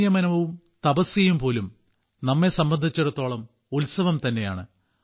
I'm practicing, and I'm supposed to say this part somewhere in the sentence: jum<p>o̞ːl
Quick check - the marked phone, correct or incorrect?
correct